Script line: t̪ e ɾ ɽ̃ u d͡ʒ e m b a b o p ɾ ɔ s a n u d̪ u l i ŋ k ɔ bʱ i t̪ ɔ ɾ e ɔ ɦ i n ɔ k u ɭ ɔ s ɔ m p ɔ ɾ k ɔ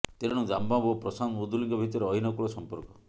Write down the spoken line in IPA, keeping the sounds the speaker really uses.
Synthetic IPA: t̪ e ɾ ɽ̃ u d͡ʒ a m b a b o p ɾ ɔ s a n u d̪ u l i ŋ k ɔ bʱ i t̪ ɔ ɾ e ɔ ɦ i n ɔ k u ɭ ɔ s ɔ m p ɔ ɾ k ɔ